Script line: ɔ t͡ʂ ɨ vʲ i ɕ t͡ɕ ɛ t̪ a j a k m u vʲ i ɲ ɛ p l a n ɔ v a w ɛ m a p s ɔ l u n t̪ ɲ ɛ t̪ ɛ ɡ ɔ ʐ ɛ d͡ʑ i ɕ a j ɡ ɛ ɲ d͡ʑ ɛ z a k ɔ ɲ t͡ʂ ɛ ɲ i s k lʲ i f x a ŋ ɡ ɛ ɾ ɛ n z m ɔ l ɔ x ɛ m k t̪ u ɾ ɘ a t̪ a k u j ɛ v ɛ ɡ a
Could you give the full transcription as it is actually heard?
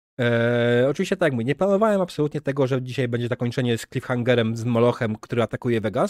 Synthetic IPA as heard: ɔ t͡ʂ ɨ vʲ i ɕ t͡ɕ ɛ t̪ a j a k m u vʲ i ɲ ɛ p l a n ɔ v a w ɛ m a p s ɔ l u t̪ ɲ ɛ t̪ ɛ ɡ ɔ ʐ ɛ d͡ʑ i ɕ a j b ɛ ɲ d͡ʑ ɛ z a k ɔ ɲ t͡ʂ ɛ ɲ ɛ s k lʲ i f x a ŋ ɡ ɛ ɾ ɛ m z m ɔ l ɔ x ɛ m k t̪ u ɾ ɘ a t̪ a k u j ɛ v ɛ ɡ a